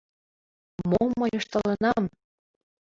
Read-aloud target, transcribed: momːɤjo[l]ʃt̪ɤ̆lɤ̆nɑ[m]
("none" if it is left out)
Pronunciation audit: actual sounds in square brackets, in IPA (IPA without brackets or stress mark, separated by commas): none, m